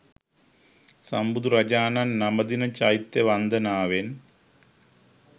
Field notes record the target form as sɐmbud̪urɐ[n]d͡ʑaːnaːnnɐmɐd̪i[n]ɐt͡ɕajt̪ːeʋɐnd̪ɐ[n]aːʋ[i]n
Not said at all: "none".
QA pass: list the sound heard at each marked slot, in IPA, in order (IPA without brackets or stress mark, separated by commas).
none, n, n, e